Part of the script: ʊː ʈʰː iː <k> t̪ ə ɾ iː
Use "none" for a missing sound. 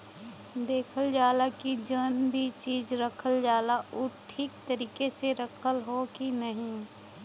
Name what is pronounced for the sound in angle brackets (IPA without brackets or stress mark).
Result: k